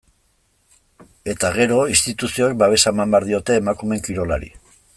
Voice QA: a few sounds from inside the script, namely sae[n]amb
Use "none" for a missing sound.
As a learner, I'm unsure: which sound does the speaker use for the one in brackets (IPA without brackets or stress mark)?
m